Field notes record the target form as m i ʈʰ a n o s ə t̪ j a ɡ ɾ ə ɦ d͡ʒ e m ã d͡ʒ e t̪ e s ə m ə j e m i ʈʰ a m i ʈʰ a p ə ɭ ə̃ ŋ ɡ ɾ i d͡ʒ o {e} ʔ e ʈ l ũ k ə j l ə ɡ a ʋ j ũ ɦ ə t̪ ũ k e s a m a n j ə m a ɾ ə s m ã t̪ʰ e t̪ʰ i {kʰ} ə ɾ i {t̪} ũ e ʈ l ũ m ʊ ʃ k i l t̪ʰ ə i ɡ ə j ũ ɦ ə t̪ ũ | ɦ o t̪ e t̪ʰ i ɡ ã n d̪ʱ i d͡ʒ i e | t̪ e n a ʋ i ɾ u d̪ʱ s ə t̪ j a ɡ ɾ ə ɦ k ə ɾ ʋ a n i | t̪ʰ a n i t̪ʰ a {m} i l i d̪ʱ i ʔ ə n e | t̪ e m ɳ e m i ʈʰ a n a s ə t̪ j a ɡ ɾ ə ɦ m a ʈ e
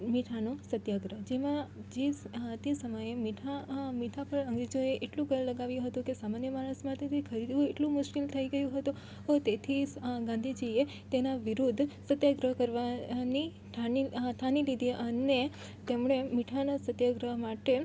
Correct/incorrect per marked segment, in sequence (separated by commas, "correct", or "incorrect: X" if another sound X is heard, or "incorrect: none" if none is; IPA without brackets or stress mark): correct, correct, incorrect: d̪, incorrect: n